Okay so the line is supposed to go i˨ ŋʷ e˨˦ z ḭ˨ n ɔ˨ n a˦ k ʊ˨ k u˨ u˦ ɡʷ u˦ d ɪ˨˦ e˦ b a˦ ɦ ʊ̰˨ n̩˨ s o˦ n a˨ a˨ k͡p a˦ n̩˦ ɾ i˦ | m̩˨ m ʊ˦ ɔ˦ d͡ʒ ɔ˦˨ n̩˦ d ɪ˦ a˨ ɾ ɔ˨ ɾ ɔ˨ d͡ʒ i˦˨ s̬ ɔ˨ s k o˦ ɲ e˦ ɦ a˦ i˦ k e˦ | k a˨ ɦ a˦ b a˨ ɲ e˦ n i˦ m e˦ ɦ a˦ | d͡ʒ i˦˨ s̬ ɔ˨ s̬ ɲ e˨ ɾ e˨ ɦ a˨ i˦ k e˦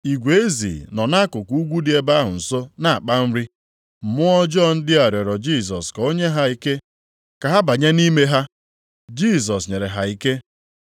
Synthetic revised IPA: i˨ ɡʷ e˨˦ z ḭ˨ n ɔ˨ n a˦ k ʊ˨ k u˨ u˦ ɡʷ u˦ d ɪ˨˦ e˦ b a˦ ɦ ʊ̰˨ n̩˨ s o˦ n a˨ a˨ k͡p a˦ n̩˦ ɾ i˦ | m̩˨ m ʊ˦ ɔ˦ d͡ʒ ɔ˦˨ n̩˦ d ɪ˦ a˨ ɾ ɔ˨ ɾ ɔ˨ d͡ʒ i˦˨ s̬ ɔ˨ s k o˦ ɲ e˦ ɦ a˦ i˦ k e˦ | k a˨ ɦ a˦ b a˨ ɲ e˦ n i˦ m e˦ ɦ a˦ | d͡ʒ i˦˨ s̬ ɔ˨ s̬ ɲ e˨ ɾ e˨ ɦ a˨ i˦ k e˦